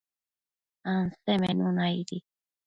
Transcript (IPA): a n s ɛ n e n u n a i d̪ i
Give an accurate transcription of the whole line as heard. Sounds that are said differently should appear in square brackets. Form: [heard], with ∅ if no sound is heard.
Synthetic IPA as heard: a n s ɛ [m] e n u n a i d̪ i